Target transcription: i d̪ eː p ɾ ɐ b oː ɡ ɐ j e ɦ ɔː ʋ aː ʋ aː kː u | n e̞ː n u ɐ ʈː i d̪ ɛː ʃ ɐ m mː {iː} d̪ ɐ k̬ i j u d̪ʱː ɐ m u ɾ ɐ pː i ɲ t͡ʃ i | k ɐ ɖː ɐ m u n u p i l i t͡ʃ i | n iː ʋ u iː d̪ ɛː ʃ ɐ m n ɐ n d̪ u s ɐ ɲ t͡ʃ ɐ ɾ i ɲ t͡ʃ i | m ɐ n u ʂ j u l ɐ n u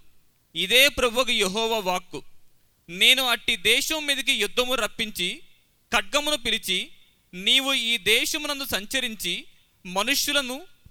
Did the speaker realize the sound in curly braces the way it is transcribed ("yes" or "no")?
yes